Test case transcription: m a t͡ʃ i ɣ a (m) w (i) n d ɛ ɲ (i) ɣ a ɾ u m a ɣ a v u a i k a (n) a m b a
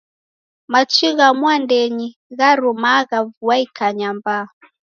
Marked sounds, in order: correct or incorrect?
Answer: correct, incorrect: a, correct, incorrect: ɲ

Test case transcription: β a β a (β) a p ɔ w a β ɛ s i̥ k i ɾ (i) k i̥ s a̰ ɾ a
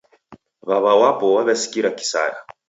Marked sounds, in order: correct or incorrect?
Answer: incorrect: w, incorrect: a

